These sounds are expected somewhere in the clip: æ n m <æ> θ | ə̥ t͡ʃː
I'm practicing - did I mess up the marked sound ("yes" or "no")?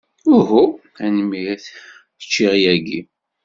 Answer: yes